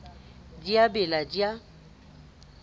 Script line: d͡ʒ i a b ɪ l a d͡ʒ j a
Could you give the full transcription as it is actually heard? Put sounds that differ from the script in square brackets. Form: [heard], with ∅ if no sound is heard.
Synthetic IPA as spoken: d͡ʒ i a b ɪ l a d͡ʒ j a